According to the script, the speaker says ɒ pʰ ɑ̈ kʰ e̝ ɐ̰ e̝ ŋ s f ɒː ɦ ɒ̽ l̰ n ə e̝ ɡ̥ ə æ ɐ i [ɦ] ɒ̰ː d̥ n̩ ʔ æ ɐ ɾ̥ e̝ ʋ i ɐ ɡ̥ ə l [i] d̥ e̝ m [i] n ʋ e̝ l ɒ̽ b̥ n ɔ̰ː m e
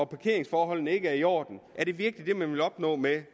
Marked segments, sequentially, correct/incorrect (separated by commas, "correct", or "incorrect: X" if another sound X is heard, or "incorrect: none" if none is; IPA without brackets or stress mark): incorrect: none, correct, incorrect: æ